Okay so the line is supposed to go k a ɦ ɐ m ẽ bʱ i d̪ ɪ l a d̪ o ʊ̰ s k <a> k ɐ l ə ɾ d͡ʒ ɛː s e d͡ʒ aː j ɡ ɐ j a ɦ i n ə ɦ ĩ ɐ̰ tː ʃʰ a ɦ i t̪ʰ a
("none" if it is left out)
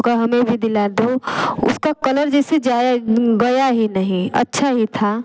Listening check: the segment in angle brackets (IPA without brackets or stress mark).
a